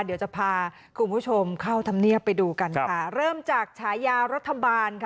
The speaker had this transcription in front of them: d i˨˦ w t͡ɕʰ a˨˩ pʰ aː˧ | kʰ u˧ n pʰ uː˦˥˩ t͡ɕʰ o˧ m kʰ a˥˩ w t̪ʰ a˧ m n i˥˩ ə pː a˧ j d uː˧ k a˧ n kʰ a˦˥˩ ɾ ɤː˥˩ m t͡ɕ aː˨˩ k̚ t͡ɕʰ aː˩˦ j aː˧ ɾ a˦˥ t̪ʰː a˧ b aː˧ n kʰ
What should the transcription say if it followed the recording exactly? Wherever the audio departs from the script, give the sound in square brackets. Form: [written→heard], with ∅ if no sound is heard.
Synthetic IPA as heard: d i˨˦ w [t͡ɕʰ→t͡ɕ] a˨˩ pʰ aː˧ | kʰ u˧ n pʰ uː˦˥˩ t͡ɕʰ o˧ m kʰ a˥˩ w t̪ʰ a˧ m n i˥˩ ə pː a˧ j d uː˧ k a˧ n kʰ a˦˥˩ ɾ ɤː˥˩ m t͡ɕ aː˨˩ k̚ t͡ɕʰ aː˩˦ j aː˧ ɾ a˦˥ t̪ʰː a˧ b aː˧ n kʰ